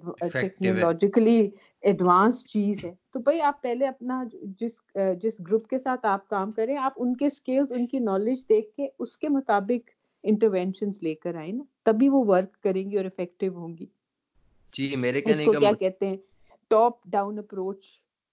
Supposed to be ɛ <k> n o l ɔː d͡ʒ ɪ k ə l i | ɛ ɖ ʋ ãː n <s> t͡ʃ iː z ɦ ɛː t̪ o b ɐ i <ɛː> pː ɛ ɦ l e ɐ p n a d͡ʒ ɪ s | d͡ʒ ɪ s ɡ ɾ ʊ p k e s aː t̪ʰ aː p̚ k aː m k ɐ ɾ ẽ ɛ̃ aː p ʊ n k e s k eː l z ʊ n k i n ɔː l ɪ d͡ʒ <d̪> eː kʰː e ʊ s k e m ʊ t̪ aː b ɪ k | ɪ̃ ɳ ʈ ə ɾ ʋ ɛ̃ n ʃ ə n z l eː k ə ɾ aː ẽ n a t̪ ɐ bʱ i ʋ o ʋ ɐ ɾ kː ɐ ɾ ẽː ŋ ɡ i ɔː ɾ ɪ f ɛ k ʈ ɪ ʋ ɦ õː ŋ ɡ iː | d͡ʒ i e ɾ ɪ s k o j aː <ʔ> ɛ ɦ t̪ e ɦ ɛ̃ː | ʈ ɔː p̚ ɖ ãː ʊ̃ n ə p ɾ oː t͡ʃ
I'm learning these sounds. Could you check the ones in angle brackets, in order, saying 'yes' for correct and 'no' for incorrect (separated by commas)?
yes, yes, no, yes, no